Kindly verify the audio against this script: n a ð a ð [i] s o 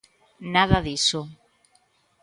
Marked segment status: correct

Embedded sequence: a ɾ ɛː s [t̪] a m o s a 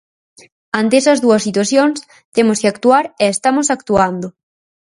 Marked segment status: correct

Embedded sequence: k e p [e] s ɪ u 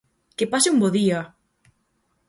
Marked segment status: incorrect: a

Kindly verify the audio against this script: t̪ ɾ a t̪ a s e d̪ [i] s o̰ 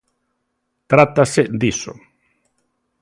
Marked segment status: correct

